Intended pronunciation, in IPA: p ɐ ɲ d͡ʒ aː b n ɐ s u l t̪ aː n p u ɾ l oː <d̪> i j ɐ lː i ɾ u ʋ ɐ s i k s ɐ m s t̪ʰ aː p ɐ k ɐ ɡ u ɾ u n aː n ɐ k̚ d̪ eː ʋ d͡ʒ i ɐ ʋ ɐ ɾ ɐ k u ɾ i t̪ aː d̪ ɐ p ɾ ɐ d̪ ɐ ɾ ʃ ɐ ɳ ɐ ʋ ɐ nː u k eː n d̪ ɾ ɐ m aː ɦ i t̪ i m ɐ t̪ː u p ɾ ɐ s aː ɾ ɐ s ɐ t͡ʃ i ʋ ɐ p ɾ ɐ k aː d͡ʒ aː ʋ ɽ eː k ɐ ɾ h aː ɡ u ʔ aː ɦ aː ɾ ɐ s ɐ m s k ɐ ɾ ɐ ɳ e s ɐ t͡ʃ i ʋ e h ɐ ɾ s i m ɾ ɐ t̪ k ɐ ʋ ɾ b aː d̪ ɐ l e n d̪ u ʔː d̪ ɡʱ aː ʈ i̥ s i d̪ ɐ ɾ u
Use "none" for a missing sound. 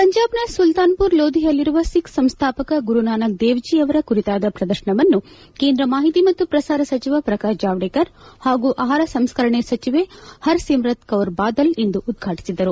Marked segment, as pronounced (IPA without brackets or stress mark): d̪